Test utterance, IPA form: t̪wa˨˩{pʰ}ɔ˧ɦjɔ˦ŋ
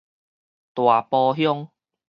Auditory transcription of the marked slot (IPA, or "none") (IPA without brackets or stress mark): p